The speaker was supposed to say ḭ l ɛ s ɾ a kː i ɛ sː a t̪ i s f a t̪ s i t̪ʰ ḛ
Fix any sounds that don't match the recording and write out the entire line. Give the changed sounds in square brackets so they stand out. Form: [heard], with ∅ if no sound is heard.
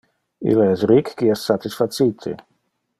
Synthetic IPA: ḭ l ɛ s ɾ [i] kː i ɛ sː a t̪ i s f a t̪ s i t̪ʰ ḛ